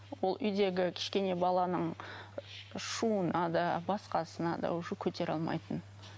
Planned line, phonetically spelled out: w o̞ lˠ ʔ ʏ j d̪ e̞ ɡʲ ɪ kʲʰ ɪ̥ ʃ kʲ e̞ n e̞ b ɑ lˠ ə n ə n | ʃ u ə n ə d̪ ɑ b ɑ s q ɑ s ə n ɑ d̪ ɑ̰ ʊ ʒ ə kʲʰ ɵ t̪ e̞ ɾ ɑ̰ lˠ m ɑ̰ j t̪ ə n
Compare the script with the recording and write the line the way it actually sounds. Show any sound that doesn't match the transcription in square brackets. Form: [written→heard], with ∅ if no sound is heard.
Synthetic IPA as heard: w o̞ lˠ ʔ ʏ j d̪ e̞ ɡʲ ɪ kʲʰ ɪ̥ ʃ kʲ e̞ n e̞ b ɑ lˠ [ə→ɑ] n ə [n→ɴ] | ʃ u ə n [ə→ɑ] d̪ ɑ b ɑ s q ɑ s ə n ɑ d̪ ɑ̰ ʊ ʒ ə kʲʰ ɵ t̪ e̞ ɾ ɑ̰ lˠ m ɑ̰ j t̪ ə n